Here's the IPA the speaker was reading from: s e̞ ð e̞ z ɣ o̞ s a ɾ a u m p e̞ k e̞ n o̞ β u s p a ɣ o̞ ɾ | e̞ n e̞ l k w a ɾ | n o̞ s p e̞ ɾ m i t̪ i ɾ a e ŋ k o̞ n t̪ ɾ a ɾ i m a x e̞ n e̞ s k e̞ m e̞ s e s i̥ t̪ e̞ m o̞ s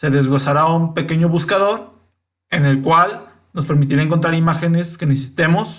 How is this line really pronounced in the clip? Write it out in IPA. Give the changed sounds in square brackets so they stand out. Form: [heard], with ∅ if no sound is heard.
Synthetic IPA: s e̞ ð e̞ z ɣ o̞ s a ɾ a u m p e̞ k e̞ [ɲ] o̞ β u s [k] a [ð] o̞ ɾ | e̞ n e̞ l k w a [l] | n o̞ s p e̞ ɾ m i t̪ i ɾ a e ŋ k o̞ n t̪ ɾ a ɾ i m a x e̞ n e̞ s k e̞ [n] e̞ s e s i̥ t̪ e̞ m o̞ s